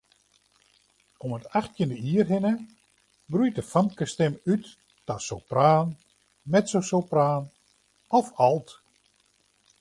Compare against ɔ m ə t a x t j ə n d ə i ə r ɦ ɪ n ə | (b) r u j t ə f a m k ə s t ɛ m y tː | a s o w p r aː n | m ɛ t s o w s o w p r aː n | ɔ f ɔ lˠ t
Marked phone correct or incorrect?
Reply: correct